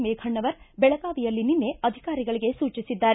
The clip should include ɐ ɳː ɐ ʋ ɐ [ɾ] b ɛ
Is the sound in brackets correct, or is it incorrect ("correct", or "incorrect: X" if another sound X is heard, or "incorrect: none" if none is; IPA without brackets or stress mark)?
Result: correct